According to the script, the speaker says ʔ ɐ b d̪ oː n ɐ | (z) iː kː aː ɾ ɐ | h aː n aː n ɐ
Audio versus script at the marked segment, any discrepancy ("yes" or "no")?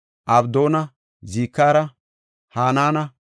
no